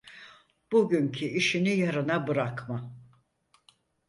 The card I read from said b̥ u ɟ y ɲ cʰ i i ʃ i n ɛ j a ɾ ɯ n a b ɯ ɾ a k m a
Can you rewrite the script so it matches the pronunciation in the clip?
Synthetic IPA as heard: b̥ u ɟ y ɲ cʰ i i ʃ i n i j a ɾ ɯ n a b ɯ ɾ a k m a